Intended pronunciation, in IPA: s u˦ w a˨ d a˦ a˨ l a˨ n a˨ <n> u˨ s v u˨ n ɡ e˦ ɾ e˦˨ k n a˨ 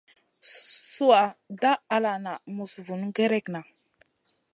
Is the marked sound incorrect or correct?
incorrect